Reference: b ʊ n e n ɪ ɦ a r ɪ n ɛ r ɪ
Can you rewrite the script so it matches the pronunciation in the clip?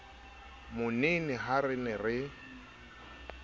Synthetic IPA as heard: m ʊ n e n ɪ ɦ a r ɪ n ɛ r ɪ